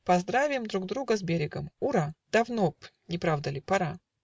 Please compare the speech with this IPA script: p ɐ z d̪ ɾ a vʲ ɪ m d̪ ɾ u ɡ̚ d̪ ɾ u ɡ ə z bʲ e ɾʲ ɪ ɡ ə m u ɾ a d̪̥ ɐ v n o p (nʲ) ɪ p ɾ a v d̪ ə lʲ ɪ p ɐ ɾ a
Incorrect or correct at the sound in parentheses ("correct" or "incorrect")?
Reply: correct